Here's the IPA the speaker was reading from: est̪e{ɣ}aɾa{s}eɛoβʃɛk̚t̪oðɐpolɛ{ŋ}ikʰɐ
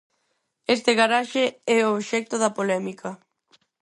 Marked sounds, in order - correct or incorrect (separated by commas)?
correct, incorrect, incorrect